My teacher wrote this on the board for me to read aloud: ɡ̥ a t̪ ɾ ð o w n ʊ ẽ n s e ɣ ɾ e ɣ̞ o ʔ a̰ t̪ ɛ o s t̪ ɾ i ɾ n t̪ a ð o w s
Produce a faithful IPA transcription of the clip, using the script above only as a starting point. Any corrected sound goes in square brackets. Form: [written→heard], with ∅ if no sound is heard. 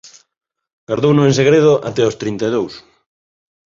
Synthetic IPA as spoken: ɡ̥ a [t̪→∅] ɾ ð o w n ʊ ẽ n s e ɣ ɾ e [ɣ̞→ð̞] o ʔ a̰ t̪ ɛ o s t̪ ɾ i [ɾ→∅] n t̪ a ð o w s